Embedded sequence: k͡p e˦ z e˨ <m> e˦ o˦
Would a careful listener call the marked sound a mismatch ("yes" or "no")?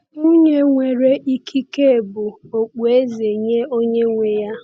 yes